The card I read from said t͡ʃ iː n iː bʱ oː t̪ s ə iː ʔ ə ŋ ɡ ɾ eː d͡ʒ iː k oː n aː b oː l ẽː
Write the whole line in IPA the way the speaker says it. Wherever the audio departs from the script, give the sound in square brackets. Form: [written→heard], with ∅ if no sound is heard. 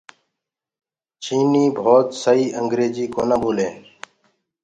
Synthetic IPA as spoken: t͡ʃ iː n iː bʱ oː t̪ s ə iː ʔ ə ŋ ɡ ɾ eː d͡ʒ iː k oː n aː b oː l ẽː

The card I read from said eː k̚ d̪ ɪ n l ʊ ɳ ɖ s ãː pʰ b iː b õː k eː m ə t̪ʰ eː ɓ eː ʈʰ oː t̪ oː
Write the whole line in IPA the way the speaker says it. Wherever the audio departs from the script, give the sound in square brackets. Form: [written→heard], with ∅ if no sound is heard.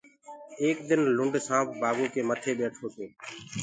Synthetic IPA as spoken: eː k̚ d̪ ɪ n l ʊ ɳ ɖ s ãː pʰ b [iː→aː] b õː k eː m ə t̪ʰ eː ɓ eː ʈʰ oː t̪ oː

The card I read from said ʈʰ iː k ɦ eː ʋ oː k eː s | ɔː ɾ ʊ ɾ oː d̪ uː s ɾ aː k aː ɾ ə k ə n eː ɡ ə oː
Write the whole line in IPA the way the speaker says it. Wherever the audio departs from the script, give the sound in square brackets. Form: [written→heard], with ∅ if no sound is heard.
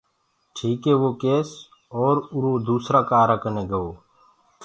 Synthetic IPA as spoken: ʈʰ iː k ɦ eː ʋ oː k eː s | ɔː ɾ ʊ ɾ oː d̪ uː s ɾ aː k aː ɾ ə k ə n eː ɡ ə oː

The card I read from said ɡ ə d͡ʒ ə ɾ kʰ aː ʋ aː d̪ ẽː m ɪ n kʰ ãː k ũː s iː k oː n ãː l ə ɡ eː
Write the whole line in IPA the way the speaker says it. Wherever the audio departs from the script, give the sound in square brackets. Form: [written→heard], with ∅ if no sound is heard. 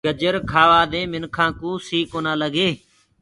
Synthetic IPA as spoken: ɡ ə d͡ʒ ə ɾ kʰ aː ʋ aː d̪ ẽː m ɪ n kʰ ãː k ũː s iː k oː n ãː l ə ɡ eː

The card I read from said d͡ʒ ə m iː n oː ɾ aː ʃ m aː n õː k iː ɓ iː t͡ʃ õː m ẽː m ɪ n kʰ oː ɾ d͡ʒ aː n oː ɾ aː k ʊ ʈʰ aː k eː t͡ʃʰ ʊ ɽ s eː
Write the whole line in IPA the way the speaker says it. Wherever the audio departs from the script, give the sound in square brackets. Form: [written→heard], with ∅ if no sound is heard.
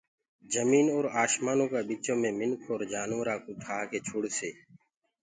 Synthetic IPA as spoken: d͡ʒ ə m iː n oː ɾ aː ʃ m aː n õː k [iː→aː] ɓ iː t͡ʃ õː m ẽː m ɪ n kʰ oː ɾ d͡ʒ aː n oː ɾ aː k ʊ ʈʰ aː k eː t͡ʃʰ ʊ ɽ s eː

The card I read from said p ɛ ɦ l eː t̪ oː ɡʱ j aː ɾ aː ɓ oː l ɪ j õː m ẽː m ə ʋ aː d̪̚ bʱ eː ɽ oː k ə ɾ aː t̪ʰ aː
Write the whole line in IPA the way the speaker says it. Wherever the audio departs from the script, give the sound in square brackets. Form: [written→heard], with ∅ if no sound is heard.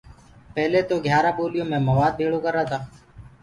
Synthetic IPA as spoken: p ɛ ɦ l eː t̪ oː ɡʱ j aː ɾ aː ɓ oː l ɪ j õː m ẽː m ə ʋ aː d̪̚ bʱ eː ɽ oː k ə ɾ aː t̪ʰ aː

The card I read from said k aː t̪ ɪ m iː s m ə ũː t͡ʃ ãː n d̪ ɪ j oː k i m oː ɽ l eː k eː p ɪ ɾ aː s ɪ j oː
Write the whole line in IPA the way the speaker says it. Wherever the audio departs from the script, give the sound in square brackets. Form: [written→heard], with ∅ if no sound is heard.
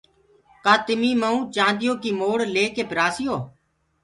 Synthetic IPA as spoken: k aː t̪ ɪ m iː [s→∅] m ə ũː t͡ʃ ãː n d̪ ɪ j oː k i m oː ɽ l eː k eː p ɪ ɾ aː s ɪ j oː

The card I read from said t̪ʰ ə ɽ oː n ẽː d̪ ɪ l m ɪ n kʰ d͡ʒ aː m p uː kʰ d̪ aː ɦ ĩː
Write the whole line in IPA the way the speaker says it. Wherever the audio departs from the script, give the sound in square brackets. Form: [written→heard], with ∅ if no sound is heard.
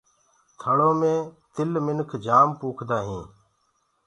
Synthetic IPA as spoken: t̪ʰ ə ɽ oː [n→m] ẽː [d̪→t̪] ɪ l m ɪ n kʰ d͡ʒ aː m p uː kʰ d̪ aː ɦ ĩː

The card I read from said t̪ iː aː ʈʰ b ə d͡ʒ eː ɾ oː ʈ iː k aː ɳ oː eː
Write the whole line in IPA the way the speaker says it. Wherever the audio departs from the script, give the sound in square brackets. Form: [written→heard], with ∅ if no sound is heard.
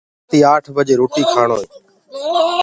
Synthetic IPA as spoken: t̪ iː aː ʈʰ b ə d͡ʒ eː ɾ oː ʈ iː [k→kʰ] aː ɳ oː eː

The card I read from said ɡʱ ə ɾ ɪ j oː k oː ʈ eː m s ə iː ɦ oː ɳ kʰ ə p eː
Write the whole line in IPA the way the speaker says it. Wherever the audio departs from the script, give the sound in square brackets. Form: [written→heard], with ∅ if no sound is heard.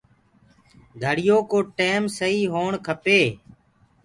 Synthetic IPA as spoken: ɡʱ ə [ɾ→ɽ] ɪ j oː k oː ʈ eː m s ə iː ɦ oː ɳ kʰ ə p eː

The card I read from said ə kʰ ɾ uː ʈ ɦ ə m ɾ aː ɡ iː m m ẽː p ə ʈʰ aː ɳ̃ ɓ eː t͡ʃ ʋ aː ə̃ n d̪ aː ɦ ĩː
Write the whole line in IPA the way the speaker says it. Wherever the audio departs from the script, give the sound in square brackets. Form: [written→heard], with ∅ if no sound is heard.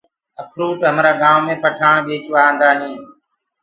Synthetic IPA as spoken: ə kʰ ɾ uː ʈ ɦ ə m ɾ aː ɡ [iː→aː] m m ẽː p ə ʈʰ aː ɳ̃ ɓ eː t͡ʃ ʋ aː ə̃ n d̪ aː ɦ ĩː

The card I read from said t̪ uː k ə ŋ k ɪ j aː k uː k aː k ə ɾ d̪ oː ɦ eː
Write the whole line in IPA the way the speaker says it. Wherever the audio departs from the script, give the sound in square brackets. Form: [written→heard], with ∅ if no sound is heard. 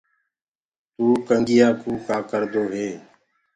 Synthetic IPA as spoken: t̪ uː k ə ŋ [k→ɡ] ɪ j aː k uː k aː k ə ɾ d̪ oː ɦ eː

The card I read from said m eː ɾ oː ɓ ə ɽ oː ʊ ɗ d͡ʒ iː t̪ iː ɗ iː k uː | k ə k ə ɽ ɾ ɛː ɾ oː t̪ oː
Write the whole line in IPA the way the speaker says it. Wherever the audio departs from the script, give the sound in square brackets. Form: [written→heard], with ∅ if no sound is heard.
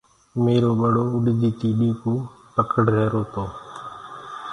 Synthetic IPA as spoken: m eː ɾ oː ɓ ə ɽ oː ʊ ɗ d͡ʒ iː t̪ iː ɗ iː k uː | [k→p] ə k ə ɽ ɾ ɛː ɾ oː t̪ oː

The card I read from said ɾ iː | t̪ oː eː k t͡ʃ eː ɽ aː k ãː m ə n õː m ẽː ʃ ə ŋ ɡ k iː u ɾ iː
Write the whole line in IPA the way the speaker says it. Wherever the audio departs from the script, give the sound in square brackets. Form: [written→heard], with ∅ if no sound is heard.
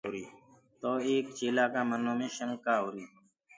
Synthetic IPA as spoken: ɾ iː | t̪ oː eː k t͡ʃ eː [ɽ→l] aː k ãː m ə n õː m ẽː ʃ ə ŋ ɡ k [iː→aː] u ɾ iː

